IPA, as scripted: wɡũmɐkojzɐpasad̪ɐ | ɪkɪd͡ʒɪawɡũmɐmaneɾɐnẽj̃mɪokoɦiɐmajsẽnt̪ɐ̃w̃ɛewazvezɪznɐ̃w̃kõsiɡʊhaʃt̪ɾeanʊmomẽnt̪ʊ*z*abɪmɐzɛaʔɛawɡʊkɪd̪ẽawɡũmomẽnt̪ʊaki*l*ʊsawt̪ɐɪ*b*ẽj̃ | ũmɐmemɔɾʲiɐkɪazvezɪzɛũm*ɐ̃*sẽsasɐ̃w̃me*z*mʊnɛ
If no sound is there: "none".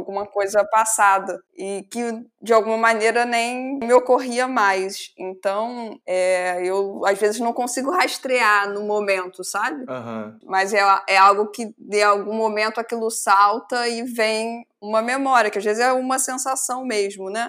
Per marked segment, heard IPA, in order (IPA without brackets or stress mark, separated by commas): s, l, v, ɐ, ʒ